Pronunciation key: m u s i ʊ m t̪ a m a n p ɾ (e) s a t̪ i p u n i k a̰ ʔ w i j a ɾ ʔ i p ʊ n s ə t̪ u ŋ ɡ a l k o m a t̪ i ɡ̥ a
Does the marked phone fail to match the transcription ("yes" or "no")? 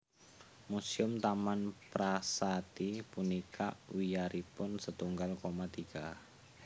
yes